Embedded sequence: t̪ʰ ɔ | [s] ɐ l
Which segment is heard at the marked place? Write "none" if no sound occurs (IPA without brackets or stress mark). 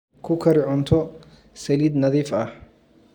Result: s